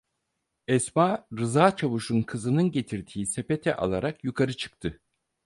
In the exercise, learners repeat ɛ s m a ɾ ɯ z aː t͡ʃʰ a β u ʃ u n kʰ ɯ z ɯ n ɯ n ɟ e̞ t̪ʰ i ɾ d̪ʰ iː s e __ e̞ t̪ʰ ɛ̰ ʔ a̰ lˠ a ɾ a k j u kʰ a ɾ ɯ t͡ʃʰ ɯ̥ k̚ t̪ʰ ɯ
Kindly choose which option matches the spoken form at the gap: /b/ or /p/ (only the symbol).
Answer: p